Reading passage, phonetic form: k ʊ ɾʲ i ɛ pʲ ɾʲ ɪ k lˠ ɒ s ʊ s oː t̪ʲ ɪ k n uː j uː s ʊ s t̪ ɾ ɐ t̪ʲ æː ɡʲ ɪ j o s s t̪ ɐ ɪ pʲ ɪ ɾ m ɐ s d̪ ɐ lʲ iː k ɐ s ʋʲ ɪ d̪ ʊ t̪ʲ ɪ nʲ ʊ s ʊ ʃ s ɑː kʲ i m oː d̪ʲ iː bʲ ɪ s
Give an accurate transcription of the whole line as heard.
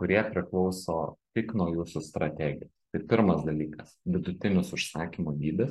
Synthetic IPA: k ʊ ɾʲ i ɛ pʲ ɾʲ ɪ k lˠ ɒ ʊ s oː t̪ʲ ɪ k n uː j uː s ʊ s t̪ ɾ ɐ t̪ʲ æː ɡʲ ɪ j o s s t̪ ɐ ɪ pʲ ɪ ɾ m ɐ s d̪ ɐ lʲ iː k ɐ s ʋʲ ɪ d̪ ʊ t̪ʲ ɪ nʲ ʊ s ʊ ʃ s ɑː kʲ i m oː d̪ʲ iː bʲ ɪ s

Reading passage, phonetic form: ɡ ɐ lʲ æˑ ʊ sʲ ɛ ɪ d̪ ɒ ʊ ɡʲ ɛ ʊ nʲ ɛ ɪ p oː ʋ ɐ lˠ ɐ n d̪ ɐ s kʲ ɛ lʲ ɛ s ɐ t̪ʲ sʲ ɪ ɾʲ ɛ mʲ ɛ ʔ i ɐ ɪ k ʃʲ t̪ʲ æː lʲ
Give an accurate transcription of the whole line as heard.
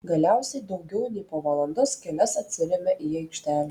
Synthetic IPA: ɡ ɐ lʲ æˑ ʊ sʲ ɛ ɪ d̪ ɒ ʊ ɡʲ ɛ ʊ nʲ ɛ ɪ p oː ʋ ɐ lˠ ɐ n d̪ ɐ s kʲ ɛ lʲ ɛ s ɐ t̪ʲ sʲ ɪ ɾʲ ɛ mʲ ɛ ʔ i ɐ ɪ k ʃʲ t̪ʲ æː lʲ

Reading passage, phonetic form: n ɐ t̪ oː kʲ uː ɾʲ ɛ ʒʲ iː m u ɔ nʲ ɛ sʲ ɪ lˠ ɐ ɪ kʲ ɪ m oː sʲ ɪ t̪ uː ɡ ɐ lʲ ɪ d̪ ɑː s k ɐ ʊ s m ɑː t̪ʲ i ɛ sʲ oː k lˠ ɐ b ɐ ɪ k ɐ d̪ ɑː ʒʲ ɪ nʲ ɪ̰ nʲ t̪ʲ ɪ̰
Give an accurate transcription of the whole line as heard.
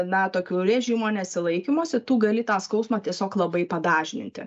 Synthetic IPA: n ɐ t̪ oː kʲ uː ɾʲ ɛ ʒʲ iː m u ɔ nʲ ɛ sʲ ɪ lˠ ɐ ɪ kʲ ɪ m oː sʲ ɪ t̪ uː ɡ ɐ lʲ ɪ t̪ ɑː s k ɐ ʊ s m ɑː t̪ʲ i ɛ sʲ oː k lˠ ɐ b ɐ ɪ p ɐ d̪ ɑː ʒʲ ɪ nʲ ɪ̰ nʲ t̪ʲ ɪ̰

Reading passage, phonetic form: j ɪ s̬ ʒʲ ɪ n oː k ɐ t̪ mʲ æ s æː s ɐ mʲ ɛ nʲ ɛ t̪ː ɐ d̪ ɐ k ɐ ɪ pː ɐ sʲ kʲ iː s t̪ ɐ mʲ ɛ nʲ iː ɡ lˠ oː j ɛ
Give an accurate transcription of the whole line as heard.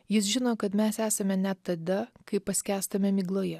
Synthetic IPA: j ɪ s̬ ʒʲ ɪ n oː k ɐ t̪ mʲ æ s æː s ɐ mʲ ɛ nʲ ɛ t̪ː ɐ d̪ ɐ k ɐ ɪ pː ɐ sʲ kʲ æː s t̪ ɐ mʲ ɛ mʲ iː ɡ lˠ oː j ɛ

